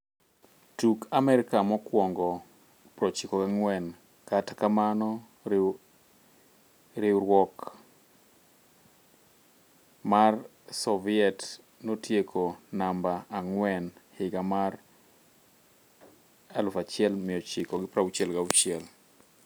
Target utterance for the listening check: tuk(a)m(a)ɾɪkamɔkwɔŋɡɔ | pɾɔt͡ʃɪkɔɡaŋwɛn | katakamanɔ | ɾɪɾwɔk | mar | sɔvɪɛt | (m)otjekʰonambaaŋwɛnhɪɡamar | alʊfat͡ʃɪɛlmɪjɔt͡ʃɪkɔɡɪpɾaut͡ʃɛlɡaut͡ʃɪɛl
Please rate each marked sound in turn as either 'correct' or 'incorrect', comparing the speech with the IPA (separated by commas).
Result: correct, incorrect, incorrect